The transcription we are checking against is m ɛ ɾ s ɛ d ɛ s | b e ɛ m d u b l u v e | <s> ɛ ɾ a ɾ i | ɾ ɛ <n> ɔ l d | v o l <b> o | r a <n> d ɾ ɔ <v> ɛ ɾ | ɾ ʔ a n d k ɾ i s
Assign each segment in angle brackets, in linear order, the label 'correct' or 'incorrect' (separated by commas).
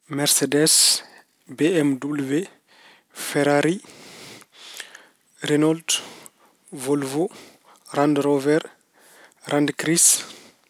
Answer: incorrect, correct, incorrect, correct, correct